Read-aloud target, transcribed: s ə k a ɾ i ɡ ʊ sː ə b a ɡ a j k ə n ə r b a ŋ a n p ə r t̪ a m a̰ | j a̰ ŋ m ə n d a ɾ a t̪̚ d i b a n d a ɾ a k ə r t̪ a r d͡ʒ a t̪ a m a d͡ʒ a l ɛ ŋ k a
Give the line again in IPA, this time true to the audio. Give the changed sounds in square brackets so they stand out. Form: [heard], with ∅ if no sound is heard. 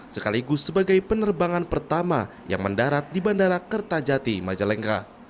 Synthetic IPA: s ə k a [l] i ɡ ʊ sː ə b a ɡ a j [p] ə n ə r b a ŋ a n p ə r t̪ a m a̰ | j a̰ ŋ m ə n d a ɾ a t̪̚ d i b a n d a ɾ a k ə r t̪ a [∅] d͡ʒ a t̪ [i] m a d͡ʒ a l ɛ ŋ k a